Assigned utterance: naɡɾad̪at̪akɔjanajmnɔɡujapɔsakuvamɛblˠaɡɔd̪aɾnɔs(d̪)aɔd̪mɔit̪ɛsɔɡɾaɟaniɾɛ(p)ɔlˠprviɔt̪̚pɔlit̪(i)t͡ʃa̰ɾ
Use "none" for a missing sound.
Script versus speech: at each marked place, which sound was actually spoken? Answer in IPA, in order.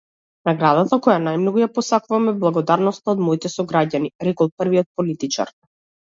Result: t̪, k, i

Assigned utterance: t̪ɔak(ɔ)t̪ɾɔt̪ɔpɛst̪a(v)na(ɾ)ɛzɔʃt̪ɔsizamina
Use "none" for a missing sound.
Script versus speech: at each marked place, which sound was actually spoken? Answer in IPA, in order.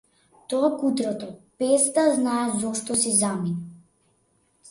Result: u, z, none

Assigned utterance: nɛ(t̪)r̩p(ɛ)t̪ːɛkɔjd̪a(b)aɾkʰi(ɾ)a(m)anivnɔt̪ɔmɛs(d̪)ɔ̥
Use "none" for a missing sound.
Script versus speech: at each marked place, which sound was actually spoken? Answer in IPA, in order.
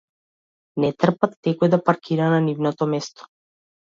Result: t̪, a, p, ɾ, n, t̪

